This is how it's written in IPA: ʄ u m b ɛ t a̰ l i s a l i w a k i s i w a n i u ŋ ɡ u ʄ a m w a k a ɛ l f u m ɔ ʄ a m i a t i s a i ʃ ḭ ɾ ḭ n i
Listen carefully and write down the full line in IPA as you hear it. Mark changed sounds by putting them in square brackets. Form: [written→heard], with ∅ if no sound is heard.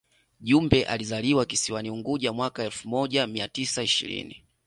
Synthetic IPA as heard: ʄ u m b ɛ [t→ʔ] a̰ l i [s→z] a l i w a k i s i w a n i u ŋ ɡ u ʄ a m w a k a ɛ l f u m ɔ ʄ a m i a t i s a i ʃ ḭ ɾ ḭ n i